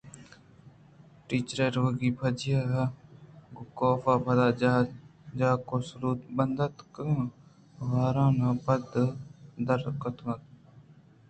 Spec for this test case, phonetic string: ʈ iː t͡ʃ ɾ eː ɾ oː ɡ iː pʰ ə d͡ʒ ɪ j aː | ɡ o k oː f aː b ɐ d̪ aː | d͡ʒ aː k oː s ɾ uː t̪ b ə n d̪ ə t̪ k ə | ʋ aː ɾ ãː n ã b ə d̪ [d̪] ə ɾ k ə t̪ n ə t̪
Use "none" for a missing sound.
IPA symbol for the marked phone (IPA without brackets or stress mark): d̪